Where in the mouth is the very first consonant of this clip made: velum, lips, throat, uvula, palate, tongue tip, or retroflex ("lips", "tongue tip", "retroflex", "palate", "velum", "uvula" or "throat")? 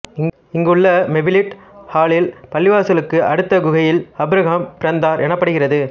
velum